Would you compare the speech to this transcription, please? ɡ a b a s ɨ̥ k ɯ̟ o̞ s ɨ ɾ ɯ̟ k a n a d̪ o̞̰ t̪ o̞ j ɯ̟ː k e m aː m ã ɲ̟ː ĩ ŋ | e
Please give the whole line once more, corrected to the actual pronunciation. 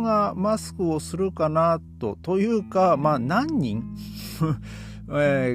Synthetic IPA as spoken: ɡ a m a s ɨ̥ k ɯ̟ o̞ s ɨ ɾ ɯ̟ k a n a t̪ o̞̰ t̪ o̞ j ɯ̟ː k a m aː n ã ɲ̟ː ĩ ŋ | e